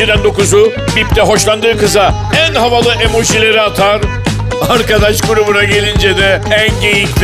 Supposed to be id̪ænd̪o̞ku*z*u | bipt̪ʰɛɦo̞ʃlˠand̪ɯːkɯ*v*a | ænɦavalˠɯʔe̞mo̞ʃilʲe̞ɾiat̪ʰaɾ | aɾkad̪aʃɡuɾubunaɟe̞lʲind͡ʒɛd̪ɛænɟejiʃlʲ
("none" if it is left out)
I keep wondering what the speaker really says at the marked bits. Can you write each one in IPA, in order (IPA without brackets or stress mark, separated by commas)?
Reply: z, z